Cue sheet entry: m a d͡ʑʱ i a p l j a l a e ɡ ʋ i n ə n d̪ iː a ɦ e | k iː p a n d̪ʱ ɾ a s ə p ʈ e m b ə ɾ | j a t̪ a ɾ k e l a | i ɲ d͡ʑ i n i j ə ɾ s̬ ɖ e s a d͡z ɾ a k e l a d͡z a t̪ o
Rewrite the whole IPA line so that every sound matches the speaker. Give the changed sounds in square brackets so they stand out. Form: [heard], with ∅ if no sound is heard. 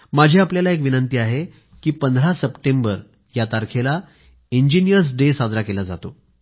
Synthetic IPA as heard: m a d͡ʑʱ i a p l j a l a e [k] ʋ i n ə n [t̪] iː a ɦ e | k iː p [ə] n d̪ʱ ɾ a s ə p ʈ e m b ə ɾ | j a t̪ a ɾ [kʰ] e l a | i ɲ d͡ʑ i n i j ə ɾ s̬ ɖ e s a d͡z ɾ a k e l a d͡z a t̪ o